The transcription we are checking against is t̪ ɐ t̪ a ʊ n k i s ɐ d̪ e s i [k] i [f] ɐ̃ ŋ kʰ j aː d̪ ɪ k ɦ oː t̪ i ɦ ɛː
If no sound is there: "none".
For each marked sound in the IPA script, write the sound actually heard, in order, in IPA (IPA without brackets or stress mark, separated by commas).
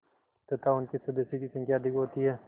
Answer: k, s